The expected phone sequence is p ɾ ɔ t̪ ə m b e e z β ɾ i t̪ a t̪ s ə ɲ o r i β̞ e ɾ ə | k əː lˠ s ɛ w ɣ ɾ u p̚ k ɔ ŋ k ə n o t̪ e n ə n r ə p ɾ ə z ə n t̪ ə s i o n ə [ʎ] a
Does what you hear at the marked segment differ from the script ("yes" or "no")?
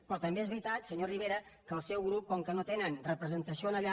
no